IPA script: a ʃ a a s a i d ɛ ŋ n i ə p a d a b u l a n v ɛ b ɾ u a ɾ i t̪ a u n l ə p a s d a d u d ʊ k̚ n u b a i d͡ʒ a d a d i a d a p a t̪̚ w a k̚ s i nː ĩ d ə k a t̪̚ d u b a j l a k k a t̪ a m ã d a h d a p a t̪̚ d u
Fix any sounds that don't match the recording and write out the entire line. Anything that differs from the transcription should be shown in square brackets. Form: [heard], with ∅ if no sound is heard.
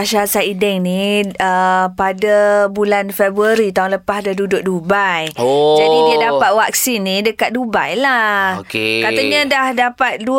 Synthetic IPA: a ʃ a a s a i d ɛ ŋ n i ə p a d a b u l a n [f] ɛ b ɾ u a ɾ i t̪ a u n l ə p a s d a d u d ʊ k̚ [d] u b a [j] d͡ʒ a d [i] d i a d a p a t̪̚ w a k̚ s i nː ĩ d ə k a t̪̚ d u b a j l a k k a t̪ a [ɲ] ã d a h d a p a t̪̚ d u